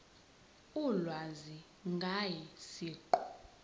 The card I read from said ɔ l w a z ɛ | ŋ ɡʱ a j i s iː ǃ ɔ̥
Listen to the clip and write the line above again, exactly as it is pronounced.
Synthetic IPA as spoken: u l w a z i | ŋ ɡʱ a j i s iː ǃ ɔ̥